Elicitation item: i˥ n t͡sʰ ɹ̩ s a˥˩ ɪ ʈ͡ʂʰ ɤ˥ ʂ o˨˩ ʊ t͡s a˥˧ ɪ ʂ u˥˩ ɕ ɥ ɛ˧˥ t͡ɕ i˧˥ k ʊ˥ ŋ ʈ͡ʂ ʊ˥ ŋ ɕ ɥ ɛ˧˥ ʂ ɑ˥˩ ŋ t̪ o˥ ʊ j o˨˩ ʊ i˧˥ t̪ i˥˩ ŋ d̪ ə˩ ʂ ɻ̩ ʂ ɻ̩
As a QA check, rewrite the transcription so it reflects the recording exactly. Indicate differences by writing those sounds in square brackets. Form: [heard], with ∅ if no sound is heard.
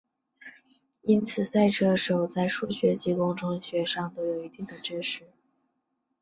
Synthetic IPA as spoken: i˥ n t͡sʰ ɹ̩ s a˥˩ ɪ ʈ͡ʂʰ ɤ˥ ʂ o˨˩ ʊ t͡s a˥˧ ɪ ʂ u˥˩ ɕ ɥ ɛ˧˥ t͡ɕ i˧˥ k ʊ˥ ŋ ʈ͡ʂ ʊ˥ ŋ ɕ ɥ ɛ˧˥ ʂ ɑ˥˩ ŋ t̪ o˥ ʊ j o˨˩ ʊ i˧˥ t̪ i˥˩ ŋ d̪ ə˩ [ʈ͡ʂ] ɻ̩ ʂ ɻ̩